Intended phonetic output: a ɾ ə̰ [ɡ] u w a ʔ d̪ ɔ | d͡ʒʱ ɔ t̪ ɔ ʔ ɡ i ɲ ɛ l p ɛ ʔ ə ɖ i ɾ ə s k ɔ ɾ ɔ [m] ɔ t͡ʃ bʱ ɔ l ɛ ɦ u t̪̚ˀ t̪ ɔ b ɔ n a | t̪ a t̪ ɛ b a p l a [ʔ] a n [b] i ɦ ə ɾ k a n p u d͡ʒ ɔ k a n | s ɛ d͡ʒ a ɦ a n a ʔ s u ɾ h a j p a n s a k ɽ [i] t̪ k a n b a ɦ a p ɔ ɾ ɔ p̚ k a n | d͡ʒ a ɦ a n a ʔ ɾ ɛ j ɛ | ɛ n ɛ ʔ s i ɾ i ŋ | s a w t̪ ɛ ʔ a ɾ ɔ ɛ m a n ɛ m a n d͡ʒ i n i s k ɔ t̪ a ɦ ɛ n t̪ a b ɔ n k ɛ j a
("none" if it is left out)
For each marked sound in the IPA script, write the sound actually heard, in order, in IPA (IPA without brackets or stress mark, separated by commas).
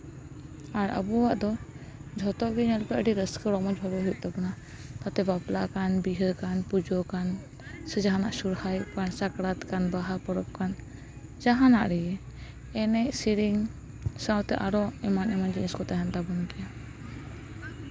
b, m, k, b, a